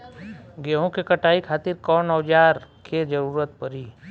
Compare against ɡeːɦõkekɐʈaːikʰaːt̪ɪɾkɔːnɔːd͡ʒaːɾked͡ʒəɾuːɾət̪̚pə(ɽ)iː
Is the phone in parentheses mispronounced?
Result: yes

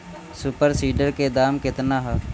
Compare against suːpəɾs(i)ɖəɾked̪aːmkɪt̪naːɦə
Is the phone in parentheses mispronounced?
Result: yes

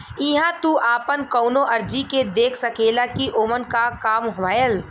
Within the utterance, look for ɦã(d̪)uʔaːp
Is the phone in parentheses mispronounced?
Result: yes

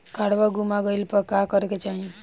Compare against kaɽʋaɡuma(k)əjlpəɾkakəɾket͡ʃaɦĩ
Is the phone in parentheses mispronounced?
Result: yes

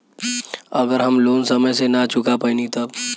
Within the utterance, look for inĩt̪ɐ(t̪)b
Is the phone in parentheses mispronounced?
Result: yes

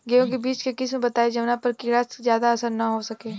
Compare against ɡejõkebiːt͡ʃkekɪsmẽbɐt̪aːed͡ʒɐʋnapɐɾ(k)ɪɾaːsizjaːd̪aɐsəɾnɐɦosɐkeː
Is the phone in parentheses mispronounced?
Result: no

